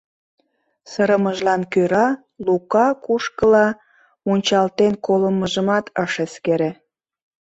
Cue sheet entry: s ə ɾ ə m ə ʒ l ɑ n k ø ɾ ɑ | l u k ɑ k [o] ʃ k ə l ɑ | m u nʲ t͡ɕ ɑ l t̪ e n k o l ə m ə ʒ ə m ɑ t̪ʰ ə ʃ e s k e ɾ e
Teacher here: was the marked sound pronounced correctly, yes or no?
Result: no